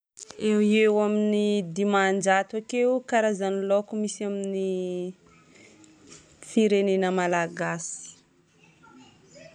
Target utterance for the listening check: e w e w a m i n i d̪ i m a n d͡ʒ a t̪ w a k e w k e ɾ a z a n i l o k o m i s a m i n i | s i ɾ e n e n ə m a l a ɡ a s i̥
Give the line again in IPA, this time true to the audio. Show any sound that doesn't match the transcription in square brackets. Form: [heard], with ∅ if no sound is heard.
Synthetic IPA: e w e w a m i n i d̪ i m a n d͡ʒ a t̪ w a k e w k [a] ɾ a z a n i l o k [u] m i s a m i n i | [f] i ɾ e n e n ə m a l a ɡ a s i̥